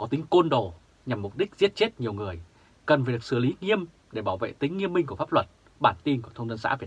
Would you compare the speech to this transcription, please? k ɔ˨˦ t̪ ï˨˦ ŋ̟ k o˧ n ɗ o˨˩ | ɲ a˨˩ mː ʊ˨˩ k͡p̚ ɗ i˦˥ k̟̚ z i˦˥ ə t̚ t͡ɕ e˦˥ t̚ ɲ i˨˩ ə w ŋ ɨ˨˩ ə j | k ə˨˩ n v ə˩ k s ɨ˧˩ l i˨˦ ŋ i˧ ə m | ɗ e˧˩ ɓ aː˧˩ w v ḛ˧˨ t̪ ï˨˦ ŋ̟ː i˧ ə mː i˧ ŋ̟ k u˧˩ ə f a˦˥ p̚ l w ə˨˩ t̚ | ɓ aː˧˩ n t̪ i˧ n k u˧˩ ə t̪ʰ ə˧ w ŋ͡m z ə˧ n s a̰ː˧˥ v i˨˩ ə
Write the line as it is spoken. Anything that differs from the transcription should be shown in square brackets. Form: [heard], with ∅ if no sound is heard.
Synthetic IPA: k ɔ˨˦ t̪ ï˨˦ ŋ̟ k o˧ n ɗ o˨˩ | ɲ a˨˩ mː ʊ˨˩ k͡p̚ ɗ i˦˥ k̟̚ z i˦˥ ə t̚ t͡ɕ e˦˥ t̚ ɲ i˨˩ ə w ŋ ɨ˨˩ ə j | k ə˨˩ n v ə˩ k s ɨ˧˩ l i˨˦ ŋ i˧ ə m | ɗ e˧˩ ɓ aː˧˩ w v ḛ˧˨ t̪ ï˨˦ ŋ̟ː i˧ ə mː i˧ ŋ̟ k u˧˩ ə f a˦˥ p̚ l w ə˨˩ t̚ | ɓ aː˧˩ n t̪ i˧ n k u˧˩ ə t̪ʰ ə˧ w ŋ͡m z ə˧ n s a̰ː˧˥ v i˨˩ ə